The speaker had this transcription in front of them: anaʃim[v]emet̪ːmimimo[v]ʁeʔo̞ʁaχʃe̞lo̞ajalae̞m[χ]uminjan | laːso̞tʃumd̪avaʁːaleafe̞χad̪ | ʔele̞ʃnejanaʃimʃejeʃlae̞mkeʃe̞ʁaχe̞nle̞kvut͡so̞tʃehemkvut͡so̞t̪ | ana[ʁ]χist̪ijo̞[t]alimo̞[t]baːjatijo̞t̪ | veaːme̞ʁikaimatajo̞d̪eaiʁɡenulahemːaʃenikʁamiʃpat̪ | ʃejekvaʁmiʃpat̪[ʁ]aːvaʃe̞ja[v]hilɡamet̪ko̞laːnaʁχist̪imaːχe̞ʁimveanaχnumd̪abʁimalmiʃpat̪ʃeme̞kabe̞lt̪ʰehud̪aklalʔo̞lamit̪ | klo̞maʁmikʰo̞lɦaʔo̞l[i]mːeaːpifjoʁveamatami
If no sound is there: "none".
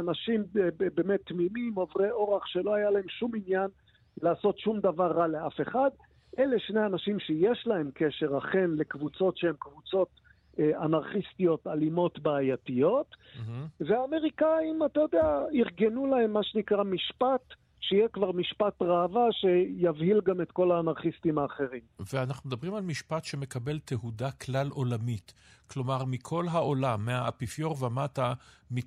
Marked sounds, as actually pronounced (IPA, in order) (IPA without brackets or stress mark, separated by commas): b, v, ʃ, ʁ, t, t, ʁ, v, a